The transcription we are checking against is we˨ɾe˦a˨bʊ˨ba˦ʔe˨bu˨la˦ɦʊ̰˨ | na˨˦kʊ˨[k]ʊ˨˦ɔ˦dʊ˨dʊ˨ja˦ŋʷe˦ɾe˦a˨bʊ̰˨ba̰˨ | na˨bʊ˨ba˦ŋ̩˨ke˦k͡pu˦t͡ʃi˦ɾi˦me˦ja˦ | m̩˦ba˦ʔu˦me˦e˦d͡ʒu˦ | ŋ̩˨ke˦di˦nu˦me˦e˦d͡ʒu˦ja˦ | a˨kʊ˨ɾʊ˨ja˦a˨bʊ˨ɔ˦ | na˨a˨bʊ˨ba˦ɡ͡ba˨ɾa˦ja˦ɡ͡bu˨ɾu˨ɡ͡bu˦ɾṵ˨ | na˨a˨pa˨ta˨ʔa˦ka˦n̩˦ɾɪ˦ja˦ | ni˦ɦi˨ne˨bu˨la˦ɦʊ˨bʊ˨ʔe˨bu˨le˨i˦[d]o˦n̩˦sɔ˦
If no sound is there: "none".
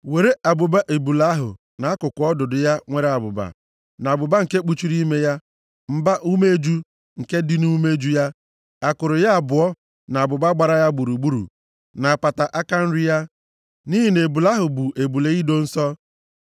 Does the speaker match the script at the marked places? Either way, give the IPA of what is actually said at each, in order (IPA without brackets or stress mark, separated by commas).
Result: k, d